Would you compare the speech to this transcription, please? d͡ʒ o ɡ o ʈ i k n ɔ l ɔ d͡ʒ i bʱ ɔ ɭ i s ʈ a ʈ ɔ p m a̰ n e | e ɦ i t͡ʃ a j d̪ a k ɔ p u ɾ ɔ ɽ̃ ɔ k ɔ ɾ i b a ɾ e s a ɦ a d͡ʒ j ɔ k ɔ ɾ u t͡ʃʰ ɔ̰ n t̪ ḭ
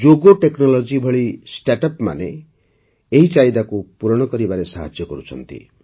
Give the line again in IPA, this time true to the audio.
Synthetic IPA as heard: d͡ʒ o ɡ o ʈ e k n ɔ l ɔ d͡ʒ i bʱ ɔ ɭ i s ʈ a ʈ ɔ p m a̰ n e | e ɦ i t͡ʃ a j d̪ a k u p u ɾ ɔ ɽ̃ ɔ k ɔ ɾ i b a ɾ e s a ɦ a d͡ʒ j ɔ k ɔ ɾ u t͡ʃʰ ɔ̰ n t̪ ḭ